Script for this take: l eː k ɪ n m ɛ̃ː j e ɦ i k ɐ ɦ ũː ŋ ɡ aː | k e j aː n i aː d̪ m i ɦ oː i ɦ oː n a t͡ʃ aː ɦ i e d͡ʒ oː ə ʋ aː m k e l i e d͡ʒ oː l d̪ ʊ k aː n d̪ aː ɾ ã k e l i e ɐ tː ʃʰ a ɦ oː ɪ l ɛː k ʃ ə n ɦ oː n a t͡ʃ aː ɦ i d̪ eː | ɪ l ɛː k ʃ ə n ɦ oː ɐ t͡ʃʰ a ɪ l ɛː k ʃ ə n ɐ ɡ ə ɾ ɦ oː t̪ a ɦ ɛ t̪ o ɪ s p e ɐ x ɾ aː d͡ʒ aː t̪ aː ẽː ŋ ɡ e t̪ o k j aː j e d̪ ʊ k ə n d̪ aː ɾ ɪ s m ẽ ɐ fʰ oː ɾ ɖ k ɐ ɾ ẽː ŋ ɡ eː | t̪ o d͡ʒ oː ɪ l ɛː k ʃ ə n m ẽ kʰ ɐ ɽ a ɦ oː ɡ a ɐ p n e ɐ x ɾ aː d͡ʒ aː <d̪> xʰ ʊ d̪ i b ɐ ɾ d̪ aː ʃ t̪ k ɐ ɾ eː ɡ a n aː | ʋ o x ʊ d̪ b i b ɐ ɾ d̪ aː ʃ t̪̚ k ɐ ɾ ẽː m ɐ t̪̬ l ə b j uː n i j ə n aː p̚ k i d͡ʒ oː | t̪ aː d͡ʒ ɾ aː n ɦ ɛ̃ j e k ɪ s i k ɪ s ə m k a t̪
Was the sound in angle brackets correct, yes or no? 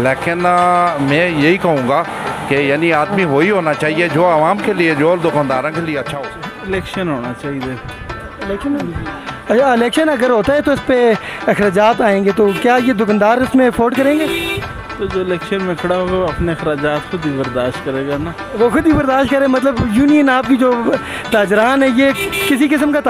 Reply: no